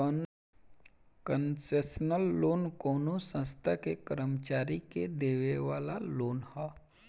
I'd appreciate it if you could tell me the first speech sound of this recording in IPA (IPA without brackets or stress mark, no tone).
k